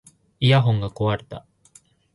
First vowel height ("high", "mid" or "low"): high